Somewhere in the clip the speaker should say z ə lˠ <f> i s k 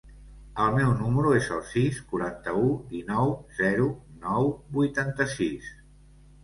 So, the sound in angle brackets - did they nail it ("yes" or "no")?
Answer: no